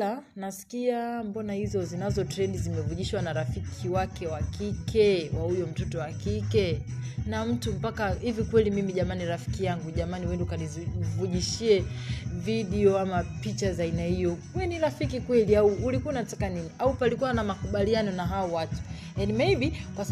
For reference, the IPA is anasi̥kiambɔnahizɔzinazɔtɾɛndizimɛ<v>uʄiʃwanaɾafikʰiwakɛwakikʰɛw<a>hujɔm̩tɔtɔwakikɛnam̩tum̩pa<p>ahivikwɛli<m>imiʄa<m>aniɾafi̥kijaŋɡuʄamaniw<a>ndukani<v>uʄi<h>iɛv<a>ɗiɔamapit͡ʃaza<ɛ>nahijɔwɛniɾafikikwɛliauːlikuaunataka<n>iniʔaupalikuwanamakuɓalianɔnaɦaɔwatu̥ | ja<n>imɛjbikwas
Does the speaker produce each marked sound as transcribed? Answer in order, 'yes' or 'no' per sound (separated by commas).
yes, yes, no, yes, yes, no, yes, no, no, no, yes, yes